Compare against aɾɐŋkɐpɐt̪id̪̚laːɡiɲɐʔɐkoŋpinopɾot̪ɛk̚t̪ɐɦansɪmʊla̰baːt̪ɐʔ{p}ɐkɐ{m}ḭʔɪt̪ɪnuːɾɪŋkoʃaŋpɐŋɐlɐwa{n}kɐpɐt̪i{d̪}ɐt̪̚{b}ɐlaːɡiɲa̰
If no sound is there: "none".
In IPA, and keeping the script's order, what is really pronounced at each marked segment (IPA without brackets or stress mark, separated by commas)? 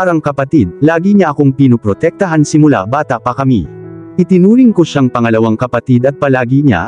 p, m, ŋ, d̪, p